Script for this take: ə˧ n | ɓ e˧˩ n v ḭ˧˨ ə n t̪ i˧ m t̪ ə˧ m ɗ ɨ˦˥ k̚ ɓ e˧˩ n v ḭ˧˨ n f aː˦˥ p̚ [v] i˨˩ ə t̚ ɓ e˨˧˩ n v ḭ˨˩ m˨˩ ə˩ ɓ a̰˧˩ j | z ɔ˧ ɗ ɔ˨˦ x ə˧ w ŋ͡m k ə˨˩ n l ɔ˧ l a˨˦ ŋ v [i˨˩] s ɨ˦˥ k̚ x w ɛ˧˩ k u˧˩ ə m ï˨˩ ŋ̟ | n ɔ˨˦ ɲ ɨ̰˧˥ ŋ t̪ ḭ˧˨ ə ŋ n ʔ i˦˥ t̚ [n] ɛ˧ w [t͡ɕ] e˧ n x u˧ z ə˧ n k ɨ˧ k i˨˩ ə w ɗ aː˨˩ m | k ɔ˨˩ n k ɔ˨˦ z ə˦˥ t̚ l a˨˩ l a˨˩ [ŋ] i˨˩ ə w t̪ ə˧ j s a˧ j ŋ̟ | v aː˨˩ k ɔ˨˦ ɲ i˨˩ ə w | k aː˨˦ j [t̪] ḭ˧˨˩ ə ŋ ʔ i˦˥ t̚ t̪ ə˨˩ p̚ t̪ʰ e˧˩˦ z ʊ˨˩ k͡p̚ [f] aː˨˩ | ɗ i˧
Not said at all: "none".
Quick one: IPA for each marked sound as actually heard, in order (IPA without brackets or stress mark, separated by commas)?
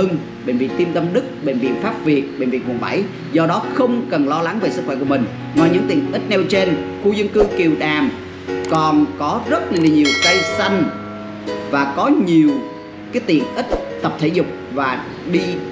v, e˨˩, n, t͡ɕ, ɲ, t̪, v